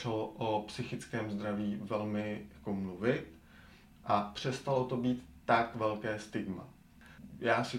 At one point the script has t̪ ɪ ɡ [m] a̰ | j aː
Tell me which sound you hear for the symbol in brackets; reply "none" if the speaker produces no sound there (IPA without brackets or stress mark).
m